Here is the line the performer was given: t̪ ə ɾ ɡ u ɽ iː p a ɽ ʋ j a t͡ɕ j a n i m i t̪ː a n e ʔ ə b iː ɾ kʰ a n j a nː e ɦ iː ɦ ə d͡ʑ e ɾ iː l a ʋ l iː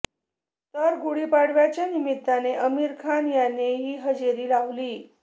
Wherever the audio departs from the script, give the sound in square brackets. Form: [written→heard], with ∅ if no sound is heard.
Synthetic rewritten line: t̪ ə ɾ ɡ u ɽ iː p a ɽ ʋ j a t͡ɕ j a n i m i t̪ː a n e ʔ ə [b→m] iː ɾ kʰ a n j a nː e ɦ iː ɦ ə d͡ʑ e ɾ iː l a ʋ l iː